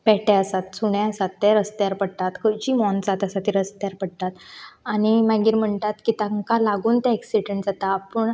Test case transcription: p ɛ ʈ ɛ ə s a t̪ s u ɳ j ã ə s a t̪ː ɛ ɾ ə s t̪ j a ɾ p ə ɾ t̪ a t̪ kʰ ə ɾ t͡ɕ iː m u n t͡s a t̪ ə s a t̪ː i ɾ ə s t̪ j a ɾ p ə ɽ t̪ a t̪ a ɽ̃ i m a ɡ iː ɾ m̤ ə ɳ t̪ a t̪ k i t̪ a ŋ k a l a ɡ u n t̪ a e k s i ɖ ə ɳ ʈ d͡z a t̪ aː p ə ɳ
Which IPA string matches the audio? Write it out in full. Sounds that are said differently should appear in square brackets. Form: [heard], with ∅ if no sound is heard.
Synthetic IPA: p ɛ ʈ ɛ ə s a t̪ s u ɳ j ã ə s a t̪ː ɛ ɾ ə s t̪ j a ɾ p ə [ɽ] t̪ a t̪ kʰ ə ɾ t͡ɕ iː m [ɔ] n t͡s a t̪ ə s a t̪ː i ɾ ə s t̪ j a ɾ p ə ɽ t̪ a t̪ a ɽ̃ i m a ɡ iː ɾ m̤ ə ɳ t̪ a t̪ k i t̪ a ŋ k a l a ɡ [uː] n t̪ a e k s i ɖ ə ɳ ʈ d͡z a t̪ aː p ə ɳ